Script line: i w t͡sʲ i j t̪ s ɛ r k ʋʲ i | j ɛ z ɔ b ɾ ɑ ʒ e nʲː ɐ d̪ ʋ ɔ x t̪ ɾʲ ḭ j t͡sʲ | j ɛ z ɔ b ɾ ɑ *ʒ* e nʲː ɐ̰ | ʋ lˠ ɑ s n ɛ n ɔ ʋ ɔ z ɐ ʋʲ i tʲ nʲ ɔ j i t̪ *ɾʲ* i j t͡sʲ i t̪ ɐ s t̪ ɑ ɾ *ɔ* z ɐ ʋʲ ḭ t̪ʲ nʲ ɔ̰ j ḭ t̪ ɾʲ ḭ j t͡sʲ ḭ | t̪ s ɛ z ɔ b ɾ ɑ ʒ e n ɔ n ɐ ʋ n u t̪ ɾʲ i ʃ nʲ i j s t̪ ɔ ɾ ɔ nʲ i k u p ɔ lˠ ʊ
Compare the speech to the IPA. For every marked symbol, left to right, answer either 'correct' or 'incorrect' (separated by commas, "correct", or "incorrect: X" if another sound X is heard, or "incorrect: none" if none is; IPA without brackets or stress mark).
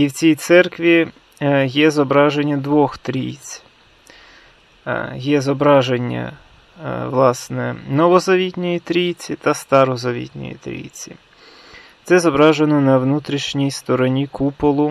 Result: correct, correct, correct